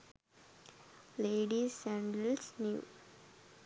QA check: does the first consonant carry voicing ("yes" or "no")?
yes